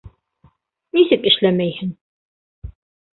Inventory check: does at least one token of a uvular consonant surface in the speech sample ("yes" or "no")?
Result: no